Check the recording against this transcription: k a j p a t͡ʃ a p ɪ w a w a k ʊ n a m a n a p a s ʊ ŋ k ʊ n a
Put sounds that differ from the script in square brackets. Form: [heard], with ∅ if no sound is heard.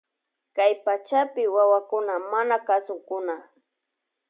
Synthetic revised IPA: k a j p a t͡ʃ a p ɪ w a w a k ʊ n a m a n a [k] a s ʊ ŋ k ʊ n a